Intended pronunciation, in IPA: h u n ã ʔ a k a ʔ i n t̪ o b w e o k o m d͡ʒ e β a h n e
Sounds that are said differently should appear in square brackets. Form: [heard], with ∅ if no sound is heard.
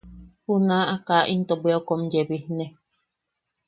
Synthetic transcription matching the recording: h u n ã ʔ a k a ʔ i n t̪ o b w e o k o m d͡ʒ e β [i] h n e